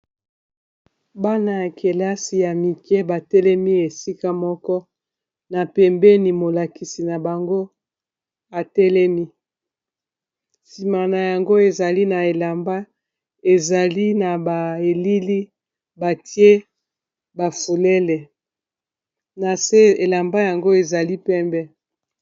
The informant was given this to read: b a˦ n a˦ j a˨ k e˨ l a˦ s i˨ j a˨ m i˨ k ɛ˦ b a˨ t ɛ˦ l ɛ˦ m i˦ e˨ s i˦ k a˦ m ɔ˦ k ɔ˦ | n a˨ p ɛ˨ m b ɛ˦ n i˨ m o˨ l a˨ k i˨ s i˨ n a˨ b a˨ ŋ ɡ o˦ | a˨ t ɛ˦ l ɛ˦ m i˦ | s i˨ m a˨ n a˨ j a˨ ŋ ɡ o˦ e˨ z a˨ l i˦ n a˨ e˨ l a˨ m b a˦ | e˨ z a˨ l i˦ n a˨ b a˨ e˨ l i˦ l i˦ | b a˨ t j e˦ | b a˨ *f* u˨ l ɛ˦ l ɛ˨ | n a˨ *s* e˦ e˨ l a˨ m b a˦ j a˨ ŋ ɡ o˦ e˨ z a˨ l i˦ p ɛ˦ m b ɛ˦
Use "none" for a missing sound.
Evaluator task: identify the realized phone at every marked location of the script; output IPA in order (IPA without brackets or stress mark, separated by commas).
f, s